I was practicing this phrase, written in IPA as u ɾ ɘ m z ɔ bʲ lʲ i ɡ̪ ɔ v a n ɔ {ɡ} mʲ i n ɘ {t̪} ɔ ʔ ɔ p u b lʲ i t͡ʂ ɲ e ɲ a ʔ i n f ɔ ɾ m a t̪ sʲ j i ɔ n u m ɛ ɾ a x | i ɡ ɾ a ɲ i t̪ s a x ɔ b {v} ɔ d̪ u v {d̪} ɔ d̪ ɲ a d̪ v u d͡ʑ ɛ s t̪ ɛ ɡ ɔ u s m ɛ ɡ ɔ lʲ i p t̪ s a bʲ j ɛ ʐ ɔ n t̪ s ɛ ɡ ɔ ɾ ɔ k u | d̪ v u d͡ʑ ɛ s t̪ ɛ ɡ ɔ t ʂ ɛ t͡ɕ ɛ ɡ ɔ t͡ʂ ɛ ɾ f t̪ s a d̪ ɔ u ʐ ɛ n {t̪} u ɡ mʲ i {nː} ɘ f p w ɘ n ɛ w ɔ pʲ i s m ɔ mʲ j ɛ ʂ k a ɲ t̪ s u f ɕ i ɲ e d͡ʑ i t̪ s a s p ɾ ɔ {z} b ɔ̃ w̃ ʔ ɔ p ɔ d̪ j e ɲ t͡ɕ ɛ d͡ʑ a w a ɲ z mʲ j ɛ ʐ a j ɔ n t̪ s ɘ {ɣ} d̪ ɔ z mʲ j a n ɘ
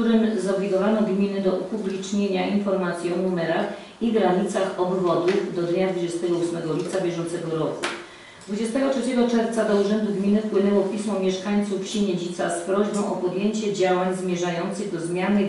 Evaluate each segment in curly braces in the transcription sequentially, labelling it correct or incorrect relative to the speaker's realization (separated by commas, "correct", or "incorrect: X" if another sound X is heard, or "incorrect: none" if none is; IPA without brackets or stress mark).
correct, incorrect: d̪, correct, correct, incorrect: d̪, incorrect: n, incorrect: ʑ, correct